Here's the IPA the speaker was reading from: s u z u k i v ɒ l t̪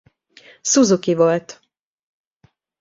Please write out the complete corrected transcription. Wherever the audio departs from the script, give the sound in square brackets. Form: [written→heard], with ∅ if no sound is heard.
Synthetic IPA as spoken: s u z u k i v [ɒ→o] l t̪